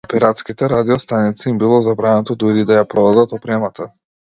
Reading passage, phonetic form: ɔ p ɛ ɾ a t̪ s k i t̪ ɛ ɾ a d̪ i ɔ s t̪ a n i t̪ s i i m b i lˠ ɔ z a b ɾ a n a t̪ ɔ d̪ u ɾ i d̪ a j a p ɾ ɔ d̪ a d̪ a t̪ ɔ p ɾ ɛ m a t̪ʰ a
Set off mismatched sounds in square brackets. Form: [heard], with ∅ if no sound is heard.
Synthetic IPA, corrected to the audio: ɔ p ɛ ɾ a t̪ s k i t̪ ɛ ɾ a d̪ i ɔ s t̪ a n i t̪ s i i m b i lˠ ɔ z a b ɾ a n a t̪ ɔ d̪ u ɾ i d̪ a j a p ɾ ɔ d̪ a d̪ a t̪ ɔ p ɾ ɛ m a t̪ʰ a